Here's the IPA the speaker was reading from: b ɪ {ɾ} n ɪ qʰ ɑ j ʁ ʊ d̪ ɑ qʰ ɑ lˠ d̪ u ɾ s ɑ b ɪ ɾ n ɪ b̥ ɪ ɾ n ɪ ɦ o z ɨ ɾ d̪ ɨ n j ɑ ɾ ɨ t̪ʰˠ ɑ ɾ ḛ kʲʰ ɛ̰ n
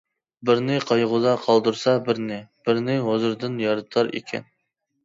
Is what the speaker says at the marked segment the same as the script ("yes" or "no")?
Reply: yes